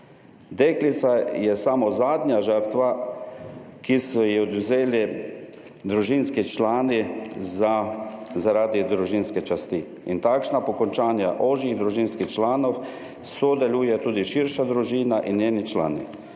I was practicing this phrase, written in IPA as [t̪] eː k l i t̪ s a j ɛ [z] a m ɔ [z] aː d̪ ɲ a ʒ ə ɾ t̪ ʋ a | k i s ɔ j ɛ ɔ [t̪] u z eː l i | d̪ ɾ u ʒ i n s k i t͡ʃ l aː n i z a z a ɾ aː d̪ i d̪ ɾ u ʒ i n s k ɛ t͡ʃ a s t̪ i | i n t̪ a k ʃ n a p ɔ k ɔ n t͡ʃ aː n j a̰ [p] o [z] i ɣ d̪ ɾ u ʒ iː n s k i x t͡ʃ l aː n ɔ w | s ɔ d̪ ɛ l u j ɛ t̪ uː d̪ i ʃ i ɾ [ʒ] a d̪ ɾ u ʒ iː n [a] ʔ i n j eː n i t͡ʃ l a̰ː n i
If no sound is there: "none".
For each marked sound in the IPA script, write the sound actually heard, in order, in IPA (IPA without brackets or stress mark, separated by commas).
d̪, s, z, d̪, ʔ, ʒ, ʃ, a